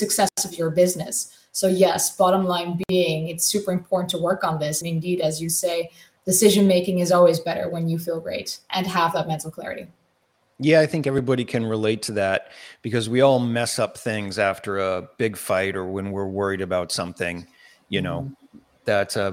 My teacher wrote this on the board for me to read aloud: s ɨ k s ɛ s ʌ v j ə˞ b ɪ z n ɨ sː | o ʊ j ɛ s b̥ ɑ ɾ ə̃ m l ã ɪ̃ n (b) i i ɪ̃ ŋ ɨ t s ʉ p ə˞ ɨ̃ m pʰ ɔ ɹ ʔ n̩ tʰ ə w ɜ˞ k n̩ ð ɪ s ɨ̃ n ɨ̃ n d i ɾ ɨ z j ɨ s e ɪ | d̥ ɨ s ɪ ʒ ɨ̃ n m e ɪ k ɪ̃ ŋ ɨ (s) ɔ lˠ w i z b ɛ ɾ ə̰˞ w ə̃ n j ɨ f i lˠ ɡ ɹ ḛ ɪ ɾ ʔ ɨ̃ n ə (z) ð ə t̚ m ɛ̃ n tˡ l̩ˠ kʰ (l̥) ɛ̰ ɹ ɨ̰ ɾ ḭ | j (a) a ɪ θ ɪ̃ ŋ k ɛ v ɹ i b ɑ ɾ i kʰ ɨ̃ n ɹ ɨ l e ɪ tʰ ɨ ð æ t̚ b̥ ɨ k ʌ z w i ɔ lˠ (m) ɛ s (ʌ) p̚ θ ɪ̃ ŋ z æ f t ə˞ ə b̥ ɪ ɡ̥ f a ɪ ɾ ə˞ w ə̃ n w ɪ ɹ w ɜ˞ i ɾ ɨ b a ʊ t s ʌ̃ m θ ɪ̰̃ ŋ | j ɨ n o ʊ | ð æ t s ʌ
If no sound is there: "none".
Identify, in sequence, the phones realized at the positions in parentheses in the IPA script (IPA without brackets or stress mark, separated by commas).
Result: b, z, v, l̥, æ, m, ʌ